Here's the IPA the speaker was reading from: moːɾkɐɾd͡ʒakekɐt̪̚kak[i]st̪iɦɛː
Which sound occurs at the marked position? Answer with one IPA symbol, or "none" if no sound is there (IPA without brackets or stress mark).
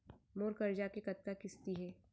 ɪ